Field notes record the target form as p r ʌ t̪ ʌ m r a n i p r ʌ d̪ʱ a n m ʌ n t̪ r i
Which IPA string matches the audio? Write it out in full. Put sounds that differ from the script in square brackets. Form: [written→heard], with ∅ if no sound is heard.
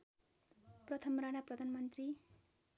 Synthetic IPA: p r ʌ [t̪→t̪ʰ] ʌ m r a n [i→a] p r ʌ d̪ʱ a n m ʌ n t̪ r i